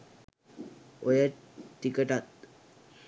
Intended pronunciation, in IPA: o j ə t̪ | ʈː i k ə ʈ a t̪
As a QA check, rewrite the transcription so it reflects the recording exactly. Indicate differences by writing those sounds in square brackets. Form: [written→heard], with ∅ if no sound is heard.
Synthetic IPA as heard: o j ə [t̪→∅] | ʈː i k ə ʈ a t̪